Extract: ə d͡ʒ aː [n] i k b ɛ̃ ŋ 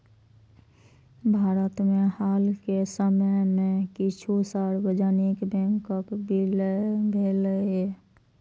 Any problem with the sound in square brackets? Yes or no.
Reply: no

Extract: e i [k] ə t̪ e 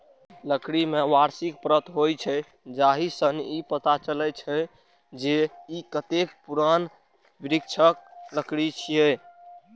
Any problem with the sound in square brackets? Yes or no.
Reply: no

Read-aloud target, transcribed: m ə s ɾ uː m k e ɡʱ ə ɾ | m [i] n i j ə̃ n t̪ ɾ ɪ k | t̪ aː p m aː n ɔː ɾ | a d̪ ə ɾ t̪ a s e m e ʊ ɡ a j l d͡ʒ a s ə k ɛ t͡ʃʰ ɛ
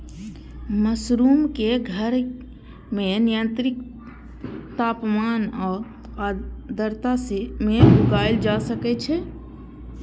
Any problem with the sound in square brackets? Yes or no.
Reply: yes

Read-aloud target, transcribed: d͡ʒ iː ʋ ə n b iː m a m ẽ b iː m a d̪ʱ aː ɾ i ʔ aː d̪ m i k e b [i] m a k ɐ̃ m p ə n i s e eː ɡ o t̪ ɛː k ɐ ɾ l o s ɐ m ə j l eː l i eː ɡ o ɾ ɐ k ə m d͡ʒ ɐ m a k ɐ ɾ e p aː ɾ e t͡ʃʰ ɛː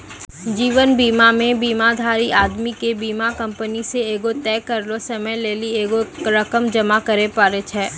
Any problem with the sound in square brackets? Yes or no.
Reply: yes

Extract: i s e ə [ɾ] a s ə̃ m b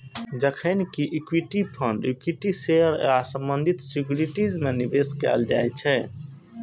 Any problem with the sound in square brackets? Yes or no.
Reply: no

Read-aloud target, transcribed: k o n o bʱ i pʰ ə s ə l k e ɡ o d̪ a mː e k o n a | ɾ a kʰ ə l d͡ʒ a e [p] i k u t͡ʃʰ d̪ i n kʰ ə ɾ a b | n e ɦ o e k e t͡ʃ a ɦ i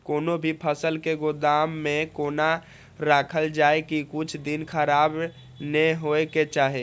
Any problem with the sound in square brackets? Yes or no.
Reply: yes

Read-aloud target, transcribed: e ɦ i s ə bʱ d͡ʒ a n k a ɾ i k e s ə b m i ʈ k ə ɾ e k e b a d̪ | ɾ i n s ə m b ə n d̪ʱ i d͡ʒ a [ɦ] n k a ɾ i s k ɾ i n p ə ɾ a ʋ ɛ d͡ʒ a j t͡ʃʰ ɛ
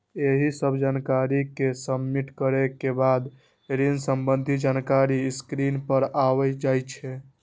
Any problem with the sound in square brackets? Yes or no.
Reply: yes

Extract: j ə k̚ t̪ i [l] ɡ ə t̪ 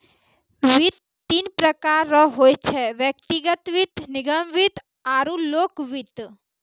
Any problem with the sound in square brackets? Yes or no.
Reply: yes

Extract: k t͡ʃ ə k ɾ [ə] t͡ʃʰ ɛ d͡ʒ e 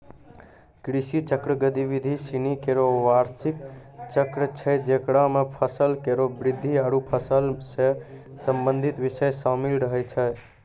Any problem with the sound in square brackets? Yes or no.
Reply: no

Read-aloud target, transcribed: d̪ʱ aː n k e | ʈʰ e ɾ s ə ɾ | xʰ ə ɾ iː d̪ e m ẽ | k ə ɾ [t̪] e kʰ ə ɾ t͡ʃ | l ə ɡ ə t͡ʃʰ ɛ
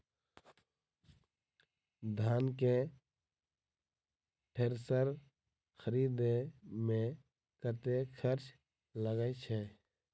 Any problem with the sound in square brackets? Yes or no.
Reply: no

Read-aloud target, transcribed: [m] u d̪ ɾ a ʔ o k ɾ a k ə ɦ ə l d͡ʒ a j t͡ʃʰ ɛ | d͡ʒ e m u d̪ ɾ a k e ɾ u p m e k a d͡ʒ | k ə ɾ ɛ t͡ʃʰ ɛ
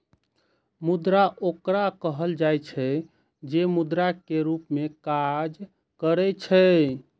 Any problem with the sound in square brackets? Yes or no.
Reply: no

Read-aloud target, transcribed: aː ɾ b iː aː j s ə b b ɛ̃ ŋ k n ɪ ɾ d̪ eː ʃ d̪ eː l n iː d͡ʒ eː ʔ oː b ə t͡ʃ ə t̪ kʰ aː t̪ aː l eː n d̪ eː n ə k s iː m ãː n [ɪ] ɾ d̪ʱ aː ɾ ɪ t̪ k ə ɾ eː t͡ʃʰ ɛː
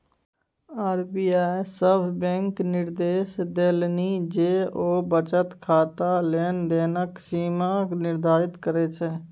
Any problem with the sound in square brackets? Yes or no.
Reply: no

